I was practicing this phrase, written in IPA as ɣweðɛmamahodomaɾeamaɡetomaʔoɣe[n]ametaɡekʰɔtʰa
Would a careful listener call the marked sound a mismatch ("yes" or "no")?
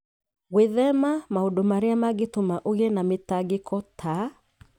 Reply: no